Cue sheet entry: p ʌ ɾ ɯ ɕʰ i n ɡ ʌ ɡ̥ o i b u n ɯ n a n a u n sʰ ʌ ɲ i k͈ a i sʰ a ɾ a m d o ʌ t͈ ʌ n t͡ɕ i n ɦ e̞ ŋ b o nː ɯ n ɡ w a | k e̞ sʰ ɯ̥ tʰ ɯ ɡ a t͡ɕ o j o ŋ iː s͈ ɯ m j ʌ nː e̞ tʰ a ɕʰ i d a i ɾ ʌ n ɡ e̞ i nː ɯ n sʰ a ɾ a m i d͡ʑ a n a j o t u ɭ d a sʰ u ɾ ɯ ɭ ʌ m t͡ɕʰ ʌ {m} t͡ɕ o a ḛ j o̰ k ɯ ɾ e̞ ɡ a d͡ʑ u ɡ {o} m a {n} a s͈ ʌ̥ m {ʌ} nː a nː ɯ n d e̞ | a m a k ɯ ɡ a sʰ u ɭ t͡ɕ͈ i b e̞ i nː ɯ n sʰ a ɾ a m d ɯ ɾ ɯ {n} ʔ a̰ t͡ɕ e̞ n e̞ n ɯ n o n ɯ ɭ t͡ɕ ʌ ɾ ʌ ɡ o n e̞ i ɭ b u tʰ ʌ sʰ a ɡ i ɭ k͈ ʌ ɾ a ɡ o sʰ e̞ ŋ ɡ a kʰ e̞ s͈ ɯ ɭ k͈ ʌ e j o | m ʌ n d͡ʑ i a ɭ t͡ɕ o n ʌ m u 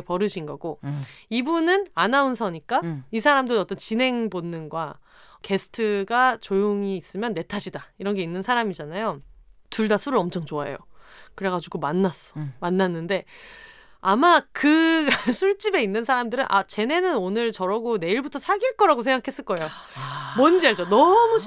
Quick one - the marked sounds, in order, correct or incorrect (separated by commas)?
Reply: incorrect, correct, incorrect, incorrect, correct